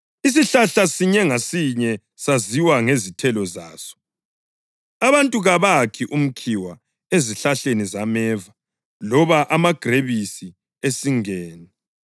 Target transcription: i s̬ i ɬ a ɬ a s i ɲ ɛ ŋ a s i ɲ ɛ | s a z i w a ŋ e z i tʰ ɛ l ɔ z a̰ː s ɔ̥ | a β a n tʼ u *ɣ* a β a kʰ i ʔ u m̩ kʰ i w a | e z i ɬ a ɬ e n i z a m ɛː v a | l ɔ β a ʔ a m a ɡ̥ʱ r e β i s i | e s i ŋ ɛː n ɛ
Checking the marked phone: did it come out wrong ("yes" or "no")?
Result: no